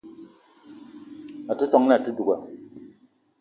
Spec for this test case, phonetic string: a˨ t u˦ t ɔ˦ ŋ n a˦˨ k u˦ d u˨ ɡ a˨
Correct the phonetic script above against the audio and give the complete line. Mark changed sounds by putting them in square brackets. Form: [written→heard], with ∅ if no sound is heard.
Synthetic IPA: a˨ t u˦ t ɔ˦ ŋ n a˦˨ [k→t] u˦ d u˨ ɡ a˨